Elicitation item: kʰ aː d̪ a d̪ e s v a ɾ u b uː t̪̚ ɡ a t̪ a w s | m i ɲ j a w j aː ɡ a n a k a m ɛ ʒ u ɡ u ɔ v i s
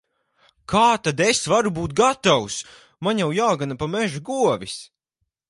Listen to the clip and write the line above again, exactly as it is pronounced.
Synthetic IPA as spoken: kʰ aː t̪ a d̪ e s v a ɾ u b uː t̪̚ ɡ a t̪ a w s | m a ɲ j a w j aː ɡ a n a p a m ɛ ʒ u ɡ u ɔ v i s